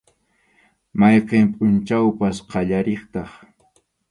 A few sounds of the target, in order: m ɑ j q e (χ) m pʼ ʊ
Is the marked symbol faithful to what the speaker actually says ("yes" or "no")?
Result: no